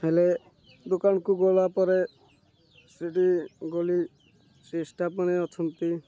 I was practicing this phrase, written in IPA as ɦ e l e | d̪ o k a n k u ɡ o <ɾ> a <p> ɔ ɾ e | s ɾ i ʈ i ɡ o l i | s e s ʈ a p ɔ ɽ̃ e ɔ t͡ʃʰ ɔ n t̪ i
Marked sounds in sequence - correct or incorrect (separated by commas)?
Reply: incorrect, correct